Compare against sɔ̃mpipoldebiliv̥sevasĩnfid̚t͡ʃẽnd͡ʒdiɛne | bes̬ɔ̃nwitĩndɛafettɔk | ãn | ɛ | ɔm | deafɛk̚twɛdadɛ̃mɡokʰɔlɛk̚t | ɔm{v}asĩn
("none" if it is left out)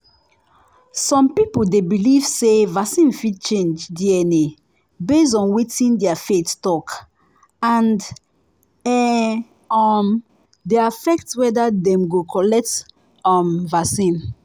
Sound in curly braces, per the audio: v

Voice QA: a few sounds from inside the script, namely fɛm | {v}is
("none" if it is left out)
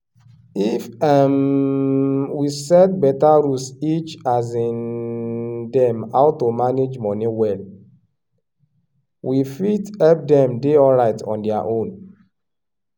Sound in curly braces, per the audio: w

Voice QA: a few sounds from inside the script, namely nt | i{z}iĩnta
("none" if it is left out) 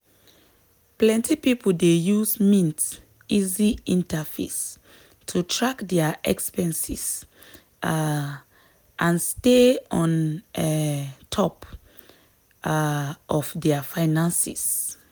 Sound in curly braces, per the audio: z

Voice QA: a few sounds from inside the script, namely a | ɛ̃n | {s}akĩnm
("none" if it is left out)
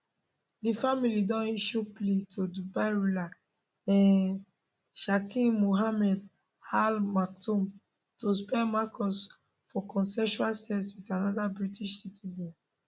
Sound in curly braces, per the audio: ʃ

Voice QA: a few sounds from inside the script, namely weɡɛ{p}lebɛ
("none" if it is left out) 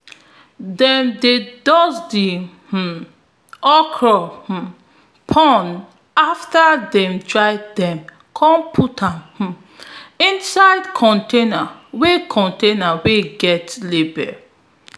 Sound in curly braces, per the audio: t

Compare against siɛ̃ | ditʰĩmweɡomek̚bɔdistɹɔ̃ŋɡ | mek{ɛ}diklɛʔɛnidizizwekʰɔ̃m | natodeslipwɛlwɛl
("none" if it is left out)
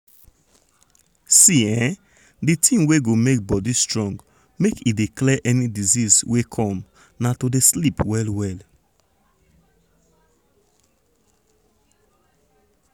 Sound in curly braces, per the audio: i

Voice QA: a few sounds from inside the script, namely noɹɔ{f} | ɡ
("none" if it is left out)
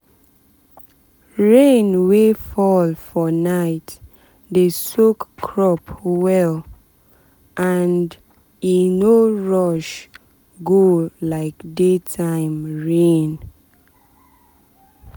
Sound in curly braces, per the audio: ʃ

